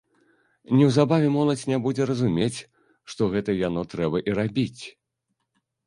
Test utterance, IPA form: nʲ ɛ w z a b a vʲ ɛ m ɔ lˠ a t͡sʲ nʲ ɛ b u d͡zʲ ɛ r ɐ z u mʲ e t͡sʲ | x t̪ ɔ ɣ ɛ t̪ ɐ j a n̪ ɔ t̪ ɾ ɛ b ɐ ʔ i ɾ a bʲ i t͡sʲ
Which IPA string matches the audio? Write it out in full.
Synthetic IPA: nʲ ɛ w z a b a vʲ ɛ m ɔ lˠ ɐ t͡sʲ nʲ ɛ b u d͡zʲ ɛ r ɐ z u mʲ e t͡sʲ | ʂ t̪ ɔ ɣ ɛ t̪ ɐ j a n̪ ɔ t̪ ɾ ɛ b ɐ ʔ i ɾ a bʲ i t͡sʲ